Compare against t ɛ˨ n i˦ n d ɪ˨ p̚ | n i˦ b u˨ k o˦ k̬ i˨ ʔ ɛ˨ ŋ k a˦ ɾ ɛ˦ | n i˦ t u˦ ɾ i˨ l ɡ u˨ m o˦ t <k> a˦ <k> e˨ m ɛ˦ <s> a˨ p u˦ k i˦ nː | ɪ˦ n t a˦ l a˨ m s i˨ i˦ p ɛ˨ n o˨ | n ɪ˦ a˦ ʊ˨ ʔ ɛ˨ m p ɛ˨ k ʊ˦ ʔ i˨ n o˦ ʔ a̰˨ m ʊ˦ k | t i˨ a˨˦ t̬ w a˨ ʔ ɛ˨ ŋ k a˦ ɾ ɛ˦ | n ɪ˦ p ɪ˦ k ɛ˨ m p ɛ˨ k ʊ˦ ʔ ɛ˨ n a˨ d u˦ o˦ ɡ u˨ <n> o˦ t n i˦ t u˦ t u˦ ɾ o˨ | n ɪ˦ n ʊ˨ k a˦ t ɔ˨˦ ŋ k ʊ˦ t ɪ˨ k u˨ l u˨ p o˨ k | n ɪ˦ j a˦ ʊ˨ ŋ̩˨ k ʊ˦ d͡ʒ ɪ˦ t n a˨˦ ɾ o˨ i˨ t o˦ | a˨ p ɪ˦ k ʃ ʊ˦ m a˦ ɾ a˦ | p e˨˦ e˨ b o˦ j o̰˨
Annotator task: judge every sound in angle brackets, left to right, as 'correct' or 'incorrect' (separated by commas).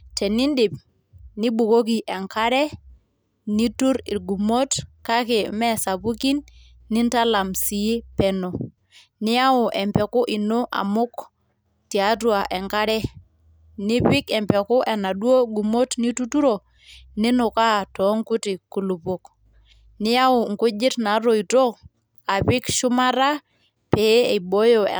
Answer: correct, correct, correct, incorrect